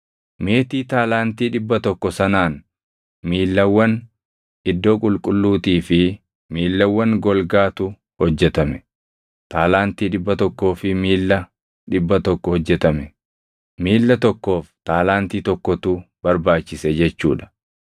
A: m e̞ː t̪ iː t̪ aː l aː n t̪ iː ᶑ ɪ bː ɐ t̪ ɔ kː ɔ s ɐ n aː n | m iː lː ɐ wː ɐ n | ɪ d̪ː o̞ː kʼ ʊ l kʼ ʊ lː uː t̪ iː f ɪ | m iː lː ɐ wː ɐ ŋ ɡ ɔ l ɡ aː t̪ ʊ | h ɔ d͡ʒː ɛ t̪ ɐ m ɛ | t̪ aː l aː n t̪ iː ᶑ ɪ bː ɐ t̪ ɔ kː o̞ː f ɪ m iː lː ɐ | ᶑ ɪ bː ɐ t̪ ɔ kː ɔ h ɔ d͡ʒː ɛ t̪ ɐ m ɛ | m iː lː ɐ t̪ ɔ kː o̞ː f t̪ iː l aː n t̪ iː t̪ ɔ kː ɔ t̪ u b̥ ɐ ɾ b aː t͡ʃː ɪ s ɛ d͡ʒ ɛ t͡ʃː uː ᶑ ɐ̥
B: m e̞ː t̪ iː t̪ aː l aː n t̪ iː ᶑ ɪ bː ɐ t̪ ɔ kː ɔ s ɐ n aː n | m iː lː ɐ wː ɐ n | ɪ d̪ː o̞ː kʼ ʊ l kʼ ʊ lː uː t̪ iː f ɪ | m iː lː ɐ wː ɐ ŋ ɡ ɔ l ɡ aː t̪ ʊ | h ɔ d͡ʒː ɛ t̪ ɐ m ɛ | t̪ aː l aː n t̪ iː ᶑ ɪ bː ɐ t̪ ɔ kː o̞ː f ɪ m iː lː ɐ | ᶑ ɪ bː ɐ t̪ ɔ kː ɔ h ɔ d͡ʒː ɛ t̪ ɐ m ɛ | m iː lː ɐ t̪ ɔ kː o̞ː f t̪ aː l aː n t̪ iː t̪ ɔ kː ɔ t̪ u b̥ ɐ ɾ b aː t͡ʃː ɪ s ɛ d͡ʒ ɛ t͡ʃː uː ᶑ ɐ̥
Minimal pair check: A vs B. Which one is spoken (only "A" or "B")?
B